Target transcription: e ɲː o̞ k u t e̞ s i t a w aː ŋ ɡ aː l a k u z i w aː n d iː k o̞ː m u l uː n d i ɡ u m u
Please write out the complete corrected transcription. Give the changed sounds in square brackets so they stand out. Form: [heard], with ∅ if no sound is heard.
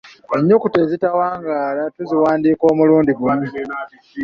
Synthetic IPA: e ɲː o̞ k u t e̞ [z] i t a w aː ŋ ɡ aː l a [t] u z i w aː n d iː k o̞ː m u l uː n d i ɡ u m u